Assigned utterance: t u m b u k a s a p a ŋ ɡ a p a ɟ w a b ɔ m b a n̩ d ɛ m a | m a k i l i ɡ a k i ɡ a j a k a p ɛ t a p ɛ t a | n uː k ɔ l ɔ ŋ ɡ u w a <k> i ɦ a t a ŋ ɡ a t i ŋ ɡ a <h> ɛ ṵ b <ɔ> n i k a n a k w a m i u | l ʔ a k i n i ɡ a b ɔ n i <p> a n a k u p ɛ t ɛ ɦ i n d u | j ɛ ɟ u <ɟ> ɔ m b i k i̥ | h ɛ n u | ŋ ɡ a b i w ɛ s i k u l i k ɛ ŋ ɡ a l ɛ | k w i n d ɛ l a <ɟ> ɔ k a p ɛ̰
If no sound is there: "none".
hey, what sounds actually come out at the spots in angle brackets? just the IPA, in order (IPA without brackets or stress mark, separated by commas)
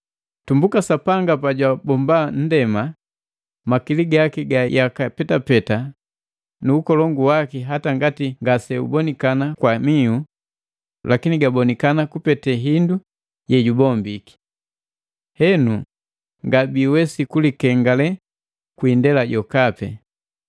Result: k, s, ɔ, k, b, ɟ